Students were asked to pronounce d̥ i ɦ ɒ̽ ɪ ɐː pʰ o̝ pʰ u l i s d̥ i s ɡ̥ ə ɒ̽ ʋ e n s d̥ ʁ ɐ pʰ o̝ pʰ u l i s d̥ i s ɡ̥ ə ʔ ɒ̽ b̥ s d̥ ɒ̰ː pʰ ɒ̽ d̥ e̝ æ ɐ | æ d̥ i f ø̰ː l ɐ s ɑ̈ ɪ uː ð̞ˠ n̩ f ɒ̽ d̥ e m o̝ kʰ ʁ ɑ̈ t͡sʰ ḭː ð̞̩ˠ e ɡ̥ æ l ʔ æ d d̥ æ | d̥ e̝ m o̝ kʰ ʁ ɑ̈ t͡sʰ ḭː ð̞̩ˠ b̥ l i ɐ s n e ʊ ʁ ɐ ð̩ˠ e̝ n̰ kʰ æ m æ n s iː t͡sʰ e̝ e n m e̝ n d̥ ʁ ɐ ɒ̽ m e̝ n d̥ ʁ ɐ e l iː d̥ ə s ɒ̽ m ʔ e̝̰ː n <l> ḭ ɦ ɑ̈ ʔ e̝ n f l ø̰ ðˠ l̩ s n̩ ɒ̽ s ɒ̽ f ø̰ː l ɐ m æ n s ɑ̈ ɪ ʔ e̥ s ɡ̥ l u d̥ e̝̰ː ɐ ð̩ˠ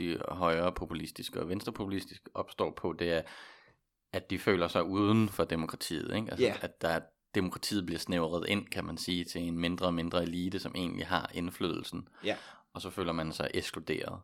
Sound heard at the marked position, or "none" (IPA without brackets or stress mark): l